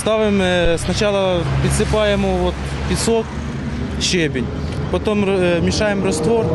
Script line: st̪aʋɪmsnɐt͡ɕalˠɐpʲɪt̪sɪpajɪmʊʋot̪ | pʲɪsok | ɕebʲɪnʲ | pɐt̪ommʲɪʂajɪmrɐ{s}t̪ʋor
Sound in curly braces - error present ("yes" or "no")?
no